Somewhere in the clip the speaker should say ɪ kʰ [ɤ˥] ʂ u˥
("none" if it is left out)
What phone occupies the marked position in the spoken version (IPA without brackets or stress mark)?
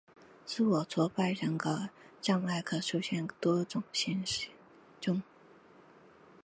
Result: ɤ˨˩